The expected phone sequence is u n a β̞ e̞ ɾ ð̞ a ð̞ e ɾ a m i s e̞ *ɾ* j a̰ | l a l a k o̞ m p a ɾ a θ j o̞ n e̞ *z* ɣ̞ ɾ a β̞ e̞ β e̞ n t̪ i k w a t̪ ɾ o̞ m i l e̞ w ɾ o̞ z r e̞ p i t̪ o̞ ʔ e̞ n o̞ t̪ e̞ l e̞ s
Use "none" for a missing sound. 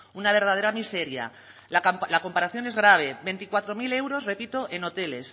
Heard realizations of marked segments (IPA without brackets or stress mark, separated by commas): ɾ, z